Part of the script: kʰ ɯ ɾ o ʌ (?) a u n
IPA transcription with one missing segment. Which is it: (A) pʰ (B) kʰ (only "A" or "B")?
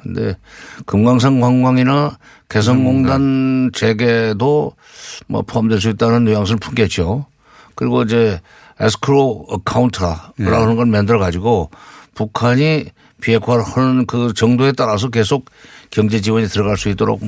B